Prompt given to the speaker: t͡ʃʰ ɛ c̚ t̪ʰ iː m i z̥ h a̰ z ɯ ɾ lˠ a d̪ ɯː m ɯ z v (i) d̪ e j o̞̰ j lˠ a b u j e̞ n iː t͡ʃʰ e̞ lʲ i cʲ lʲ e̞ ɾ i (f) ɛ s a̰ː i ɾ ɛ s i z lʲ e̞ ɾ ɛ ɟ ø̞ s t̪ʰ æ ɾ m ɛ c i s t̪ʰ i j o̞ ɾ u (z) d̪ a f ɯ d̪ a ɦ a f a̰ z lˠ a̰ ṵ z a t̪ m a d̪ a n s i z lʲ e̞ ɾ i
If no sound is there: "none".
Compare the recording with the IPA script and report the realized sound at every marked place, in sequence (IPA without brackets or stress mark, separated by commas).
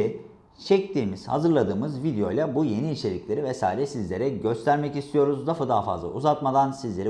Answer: i, v, z